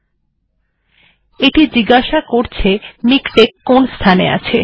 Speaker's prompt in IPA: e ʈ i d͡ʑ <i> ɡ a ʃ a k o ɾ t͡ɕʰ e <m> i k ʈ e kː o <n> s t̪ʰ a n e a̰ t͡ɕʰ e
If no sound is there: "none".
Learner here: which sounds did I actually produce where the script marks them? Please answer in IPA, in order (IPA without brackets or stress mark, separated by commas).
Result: i, m, n